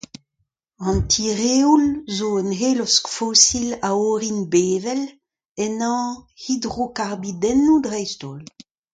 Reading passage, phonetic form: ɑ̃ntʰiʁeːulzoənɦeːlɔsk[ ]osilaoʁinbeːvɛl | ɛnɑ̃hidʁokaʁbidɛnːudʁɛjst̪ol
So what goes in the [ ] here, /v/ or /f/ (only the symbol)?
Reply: f